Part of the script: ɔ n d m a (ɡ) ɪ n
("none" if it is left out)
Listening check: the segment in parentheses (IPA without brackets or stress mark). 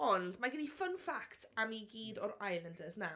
ɡ